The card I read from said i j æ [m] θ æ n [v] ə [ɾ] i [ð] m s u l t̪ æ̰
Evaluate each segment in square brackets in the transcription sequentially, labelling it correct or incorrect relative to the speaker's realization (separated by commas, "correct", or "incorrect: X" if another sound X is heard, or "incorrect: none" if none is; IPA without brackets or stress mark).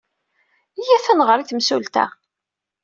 incorrect: none, incorrect: ʁ, correct, incorrect: θ